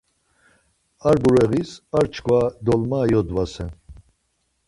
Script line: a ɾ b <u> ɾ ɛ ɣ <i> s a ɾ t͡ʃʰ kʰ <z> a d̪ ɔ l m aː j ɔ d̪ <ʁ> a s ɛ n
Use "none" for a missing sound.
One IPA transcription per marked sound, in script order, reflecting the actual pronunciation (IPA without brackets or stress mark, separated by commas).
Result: u, i, v, v